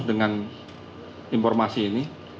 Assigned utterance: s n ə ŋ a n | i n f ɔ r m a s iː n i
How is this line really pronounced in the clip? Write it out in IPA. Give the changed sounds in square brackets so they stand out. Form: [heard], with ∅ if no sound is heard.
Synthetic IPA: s [d] ə ŋ a n | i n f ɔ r m a s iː n i